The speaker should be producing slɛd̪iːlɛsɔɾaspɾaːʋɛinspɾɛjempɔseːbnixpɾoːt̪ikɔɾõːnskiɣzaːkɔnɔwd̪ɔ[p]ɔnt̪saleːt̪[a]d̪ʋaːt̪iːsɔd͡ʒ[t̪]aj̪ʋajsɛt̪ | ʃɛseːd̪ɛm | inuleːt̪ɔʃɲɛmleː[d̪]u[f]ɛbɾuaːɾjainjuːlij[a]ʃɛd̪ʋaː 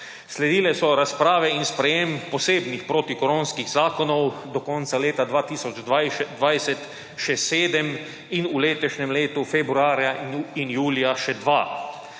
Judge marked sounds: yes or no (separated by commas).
no, yes, no, no, yes, yes